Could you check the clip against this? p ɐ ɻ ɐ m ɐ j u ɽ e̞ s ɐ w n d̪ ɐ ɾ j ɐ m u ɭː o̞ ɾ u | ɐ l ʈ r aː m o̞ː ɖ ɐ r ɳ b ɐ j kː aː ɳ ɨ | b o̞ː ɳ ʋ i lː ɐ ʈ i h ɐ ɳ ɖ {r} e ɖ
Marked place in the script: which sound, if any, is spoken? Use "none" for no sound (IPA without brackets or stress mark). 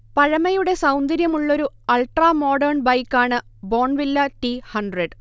r